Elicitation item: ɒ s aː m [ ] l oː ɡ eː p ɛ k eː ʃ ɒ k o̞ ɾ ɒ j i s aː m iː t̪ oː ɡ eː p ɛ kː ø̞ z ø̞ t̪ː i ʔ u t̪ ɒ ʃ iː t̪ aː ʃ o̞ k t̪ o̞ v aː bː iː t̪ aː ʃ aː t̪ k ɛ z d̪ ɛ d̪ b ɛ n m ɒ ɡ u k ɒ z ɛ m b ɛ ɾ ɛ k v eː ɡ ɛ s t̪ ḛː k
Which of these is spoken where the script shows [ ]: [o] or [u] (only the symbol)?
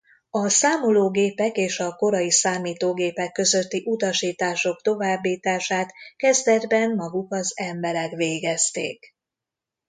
o